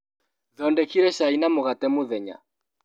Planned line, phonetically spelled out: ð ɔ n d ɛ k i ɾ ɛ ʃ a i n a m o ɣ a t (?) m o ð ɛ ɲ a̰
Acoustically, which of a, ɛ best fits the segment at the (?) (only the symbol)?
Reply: ɛ